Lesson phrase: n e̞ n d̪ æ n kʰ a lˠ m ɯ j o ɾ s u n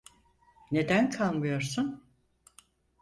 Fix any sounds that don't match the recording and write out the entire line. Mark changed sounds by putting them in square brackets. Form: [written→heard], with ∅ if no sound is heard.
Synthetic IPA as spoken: n e̞ [n→∅] d̪ æ n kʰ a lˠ m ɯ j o ɾ s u n